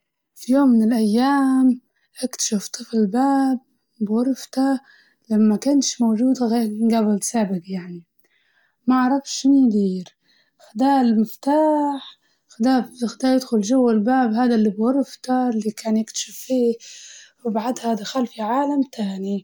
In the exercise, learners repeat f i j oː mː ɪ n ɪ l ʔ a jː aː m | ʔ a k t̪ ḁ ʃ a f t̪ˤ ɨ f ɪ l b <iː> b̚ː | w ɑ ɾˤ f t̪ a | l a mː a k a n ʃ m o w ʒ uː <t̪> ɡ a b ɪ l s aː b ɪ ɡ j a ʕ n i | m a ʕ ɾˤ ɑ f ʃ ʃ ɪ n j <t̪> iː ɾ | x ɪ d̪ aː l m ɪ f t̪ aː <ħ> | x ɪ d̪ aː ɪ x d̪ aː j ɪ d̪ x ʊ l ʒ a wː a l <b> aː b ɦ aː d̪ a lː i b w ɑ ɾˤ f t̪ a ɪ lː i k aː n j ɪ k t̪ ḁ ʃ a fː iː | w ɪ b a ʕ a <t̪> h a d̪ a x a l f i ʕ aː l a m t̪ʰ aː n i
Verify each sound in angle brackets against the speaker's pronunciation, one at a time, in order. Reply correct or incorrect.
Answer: incorrect: aː, incorrect: d̪, incorrect: d̪, correct, correct, incorrect: d̪

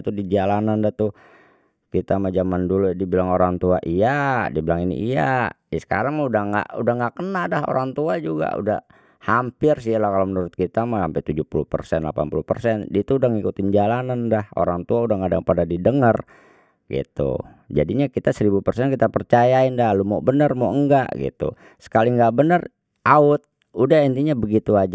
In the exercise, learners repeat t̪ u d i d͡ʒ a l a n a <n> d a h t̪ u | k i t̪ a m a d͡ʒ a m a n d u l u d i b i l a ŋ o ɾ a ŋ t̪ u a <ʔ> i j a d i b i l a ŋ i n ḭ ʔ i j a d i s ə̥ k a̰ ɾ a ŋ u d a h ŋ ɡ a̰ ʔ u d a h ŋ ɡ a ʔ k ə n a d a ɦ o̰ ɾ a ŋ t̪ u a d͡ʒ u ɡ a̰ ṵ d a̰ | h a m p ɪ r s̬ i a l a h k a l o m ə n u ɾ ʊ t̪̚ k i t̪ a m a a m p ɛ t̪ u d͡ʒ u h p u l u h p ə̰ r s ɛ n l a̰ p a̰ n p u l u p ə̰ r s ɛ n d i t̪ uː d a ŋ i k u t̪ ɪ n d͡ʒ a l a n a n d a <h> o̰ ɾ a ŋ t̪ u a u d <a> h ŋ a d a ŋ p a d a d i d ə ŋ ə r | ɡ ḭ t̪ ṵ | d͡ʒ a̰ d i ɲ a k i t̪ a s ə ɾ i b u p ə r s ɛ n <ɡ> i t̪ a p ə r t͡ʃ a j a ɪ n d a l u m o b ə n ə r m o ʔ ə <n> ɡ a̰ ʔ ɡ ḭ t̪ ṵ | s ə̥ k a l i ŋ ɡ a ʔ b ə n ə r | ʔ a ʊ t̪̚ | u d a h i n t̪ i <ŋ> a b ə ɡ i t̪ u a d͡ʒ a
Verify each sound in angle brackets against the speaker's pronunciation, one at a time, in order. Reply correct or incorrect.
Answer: correct, correct, correct, correct, incorrect: k, incorrect: ŋ, incorrect: ɲ

